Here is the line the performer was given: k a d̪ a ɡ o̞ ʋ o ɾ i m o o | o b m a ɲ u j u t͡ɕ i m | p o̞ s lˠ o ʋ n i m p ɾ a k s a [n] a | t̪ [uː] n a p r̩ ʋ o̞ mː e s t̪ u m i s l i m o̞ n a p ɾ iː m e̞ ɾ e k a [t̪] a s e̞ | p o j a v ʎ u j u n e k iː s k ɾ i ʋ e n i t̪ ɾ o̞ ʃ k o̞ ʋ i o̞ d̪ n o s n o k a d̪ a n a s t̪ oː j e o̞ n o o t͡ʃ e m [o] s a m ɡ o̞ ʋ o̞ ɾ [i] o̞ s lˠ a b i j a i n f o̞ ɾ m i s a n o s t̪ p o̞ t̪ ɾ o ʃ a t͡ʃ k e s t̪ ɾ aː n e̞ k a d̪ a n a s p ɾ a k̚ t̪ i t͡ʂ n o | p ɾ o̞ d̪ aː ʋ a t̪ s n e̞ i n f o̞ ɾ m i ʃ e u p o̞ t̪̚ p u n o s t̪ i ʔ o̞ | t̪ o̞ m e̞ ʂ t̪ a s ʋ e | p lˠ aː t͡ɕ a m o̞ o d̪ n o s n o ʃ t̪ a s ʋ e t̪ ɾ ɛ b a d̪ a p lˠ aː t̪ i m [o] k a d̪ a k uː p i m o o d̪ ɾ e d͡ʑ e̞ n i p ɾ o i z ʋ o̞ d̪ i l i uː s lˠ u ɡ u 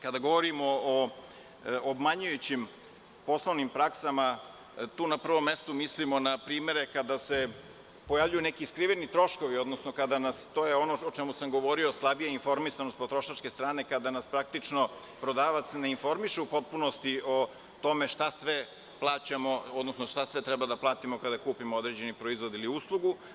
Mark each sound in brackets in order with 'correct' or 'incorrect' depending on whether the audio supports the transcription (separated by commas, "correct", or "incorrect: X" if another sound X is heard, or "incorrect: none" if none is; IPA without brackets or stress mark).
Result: incorrect: m, correct, incorrect: d̪, incorrect: u, correct, correct